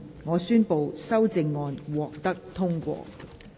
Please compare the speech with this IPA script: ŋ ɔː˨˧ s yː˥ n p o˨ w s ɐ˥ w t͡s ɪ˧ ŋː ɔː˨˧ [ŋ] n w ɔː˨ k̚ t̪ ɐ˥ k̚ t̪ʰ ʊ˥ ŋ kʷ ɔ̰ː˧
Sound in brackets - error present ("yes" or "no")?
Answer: yes